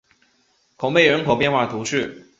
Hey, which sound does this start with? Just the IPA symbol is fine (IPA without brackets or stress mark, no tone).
kʰ